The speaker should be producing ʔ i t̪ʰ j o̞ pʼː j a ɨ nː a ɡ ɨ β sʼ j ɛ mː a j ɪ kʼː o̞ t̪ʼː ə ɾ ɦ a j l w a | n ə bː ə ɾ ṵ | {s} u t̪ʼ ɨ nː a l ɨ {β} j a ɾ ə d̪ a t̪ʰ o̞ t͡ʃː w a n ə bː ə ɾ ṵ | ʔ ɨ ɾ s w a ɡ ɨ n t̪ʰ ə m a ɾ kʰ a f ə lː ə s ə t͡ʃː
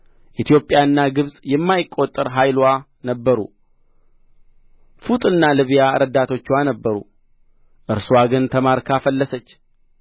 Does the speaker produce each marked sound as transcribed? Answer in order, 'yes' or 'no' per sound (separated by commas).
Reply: no, yes